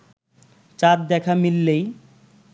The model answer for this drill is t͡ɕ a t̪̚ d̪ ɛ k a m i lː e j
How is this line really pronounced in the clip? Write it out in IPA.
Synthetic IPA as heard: t͡ɕ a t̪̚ d̪ ɛ kʰ a m i lː e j